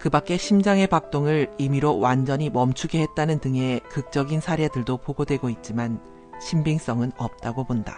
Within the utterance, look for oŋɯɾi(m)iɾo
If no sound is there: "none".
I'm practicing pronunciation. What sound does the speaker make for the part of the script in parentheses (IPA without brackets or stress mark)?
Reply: m